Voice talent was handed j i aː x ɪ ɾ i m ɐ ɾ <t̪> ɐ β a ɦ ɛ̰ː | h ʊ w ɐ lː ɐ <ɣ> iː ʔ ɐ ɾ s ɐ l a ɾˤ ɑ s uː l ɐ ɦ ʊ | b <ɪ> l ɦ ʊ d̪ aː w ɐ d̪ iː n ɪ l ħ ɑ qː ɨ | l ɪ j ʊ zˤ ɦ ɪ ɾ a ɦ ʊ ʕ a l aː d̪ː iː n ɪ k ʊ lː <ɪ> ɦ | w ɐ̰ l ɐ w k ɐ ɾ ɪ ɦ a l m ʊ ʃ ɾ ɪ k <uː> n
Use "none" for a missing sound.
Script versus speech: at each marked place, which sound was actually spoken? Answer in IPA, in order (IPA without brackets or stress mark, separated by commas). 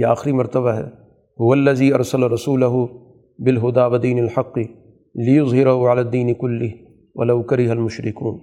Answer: t̪, z, ɪ, ɪ, uː